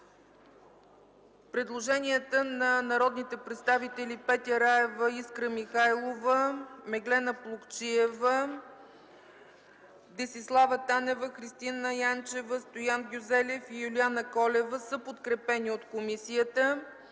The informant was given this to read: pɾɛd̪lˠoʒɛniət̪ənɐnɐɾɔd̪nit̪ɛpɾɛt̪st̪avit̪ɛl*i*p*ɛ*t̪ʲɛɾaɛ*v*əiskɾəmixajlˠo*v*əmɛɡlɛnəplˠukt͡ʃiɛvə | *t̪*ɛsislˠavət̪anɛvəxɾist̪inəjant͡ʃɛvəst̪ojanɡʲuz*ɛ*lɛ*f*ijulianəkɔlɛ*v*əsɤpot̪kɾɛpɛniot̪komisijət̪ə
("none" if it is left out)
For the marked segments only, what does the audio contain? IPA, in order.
i, ɛ, v, v, d̪, ɛ, f, v

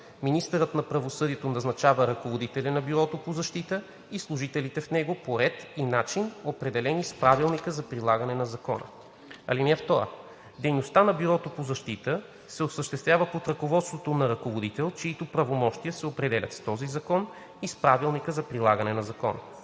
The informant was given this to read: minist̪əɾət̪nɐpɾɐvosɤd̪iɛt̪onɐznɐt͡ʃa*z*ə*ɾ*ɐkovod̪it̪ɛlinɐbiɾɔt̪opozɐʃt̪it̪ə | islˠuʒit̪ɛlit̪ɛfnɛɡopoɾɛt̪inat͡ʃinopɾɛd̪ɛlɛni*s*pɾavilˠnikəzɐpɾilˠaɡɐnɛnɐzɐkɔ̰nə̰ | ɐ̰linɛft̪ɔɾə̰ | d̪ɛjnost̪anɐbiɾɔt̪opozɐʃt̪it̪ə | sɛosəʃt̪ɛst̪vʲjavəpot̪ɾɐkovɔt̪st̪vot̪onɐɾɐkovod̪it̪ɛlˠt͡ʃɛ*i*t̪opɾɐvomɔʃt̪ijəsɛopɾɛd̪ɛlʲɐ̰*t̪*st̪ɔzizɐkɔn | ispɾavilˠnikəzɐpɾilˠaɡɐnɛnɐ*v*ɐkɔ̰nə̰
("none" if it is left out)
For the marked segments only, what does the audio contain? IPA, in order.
v, ɾ, s, i, t̪, z

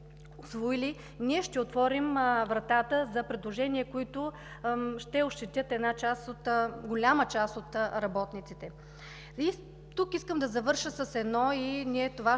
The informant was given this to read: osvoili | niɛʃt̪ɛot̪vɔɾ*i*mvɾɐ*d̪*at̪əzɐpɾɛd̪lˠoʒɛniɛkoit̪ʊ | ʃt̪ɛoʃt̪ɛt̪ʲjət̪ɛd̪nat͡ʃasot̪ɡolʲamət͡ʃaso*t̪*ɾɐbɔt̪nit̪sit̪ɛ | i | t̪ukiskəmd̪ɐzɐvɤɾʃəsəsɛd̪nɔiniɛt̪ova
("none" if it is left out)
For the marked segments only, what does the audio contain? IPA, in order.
i, t̪, t̪

